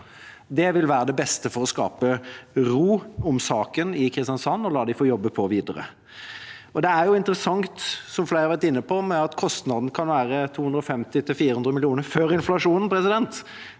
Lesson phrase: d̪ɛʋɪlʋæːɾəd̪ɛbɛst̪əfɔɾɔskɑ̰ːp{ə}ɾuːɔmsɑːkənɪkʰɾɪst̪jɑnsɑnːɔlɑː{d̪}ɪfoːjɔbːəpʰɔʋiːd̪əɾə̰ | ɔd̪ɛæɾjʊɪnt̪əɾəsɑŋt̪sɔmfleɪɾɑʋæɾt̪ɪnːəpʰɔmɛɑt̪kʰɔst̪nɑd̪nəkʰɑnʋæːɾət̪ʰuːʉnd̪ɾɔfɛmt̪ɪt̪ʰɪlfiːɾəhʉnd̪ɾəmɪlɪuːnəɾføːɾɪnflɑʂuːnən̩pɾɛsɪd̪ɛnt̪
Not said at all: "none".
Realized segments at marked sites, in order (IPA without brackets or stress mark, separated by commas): ə, d̪